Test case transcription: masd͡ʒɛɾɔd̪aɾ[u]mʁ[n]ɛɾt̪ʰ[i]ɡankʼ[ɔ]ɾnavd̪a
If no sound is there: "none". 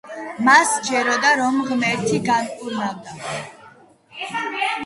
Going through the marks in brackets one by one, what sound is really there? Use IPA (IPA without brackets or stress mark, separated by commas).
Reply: ɔ, m, i, u